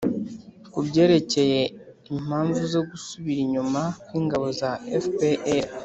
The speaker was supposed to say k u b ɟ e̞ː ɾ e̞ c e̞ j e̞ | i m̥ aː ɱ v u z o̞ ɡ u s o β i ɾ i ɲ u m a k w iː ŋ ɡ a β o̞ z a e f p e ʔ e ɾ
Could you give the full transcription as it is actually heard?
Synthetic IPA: k u b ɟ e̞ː ɾ e̞ c e̞ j e̞ | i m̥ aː ɱ v u z o̞ ɡ u s u β i ɾ i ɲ u m a k w iː ŋ ɡ a β o̞ z a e f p e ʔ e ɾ